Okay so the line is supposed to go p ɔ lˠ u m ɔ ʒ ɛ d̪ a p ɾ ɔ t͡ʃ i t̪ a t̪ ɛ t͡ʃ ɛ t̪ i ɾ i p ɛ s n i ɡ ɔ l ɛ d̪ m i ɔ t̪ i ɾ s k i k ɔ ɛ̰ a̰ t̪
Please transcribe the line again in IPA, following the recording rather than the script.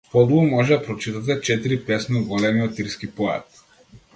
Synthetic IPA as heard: p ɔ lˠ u m ɔ ʒ ɛ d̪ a p ɾ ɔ t͡ʃ i t̪ a t̪ ɛ t͡ʃ ɛ t̪ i ɾ i p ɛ s n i ɡ ɔ l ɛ m i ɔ t̪ i ɾ s k i p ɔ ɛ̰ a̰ t̪